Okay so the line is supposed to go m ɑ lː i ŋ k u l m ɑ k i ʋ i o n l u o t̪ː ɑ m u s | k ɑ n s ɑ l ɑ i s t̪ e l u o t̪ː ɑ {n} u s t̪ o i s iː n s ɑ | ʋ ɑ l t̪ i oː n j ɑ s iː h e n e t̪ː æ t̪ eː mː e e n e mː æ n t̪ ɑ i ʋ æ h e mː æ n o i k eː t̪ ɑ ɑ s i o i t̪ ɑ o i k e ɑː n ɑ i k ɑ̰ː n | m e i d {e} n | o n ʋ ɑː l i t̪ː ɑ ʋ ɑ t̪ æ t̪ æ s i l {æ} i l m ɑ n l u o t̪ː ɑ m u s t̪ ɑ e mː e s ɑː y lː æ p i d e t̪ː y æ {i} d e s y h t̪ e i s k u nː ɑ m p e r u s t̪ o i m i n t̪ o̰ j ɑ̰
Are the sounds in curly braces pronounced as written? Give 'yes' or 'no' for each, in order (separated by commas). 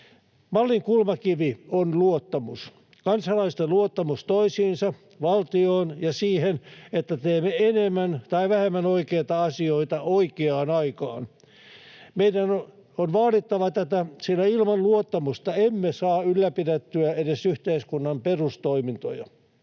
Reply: no, no, yes, no